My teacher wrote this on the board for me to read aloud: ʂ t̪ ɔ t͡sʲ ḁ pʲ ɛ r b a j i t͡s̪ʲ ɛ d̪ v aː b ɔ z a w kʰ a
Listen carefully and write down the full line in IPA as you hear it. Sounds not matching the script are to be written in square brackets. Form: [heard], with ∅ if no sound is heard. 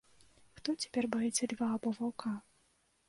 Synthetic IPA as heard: [x] t̪ ɔ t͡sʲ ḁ pʲ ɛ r b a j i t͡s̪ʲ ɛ d̪ v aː b ɔ [v] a w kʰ a